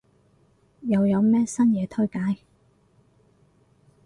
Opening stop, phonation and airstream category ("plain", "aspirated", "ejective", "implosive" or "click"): aspirated